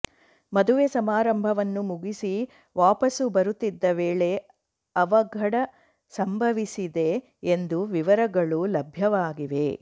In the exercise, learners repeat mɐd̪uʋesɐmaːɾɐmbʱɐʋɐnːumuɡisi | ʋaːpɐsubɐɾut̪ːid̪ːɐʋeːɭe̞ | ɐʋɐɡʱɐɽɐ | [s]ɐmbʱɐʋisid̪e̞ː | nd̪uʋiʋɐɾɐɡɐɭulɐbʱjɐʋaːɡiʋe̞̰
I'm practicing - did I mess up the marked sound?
no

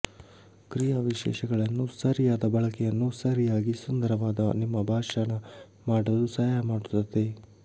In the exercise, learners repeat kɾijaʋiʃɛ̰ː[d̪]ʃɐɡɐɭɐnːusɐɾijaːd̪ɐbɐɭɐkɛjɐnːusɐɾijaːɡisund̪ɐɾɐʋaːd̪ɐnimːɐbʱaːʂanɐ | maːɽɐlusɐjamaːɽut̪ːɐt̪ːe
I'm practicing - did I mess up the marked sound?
yes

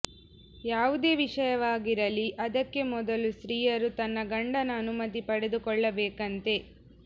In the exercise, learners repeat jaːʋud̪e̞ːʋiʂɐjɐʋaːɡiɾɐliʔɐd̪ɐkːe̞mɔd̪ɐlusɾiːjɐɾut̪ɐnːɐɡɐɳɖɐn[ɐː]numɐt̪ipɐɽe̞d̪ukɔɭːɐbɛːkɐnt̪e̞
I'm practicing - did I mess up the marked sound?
no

